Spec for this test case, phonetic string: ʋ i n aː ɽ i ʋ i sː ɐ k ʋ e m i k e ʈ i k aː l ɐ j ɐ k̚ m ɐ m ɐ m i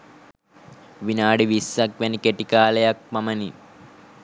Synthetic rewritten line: ʋ i n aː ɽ i ʋ i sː ɐ k ʋ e n i k e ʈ i k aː l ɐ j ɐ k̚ m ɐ m ɐ n i